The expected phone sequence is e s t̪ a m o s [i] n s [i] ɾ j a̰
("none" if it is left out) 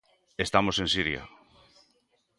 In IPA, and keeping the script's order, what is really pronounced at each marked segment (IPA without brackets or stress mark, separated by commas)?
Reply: e, i